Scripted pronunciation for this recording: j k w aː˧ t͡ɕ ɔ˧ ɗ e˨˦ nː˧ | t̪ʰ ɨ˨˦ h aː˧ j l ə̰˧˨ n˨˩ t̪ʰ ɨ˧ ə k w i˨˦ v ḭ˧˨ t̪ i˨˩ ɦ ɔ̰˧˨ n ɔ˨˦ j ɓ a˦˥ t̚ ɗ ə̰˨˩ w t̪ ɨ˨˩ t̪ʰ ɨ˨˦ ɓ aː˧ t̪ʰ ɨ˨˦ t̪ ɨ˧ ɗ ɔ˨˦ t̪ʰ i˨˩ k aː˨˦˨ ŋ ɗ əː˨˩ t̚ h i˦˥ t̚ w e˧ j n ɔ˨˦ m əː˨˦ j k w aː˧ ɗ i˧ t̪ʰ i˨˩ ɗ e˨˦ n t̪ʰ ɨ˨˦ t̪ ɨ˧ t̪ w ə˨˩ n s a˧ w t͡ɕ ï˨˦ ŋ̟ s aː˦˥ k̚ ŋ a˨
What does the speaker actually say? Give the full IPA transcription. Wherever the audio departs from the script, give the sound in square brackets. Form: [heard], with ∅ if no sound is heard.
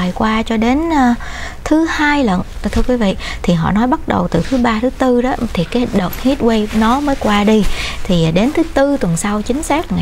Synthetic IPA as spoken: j k w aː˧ t͡ɕ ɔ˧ ɗ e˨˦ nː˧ | t̪ʰ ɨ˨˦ h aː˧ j l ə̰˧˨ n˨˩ t̪ʰ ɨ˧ ə k w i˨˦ v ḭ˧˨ [t̪ʰ] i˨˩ ɦ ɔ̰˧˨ n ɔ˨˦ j ɓ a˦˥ t̚ ɗ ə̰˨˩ w t̪ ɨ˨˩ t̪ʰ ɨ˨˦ ɓ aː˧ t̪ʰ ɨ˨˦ t̪ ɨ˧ ɗ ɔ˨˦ t̪ʰ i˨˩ k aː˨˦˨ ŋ ɗ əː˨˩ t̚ h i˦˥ t̚ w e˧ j n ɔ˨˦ m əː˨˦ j k w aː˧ ɗ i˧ t̪ʰ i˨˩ ɗ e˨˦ n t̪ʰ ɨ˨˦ t̪ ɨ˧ t̪ w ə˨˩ n s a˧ w t͡ɕ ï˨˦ ŋ̟ s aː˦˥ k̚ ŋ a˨